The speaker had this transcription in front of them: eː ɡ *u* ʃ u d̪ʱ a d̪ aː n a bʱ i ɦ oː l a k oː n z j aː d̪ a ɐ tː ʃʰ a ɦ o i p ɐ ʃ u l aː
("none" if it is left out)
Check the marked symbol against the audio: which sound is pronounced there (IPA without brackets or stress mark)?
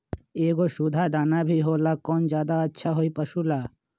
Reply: o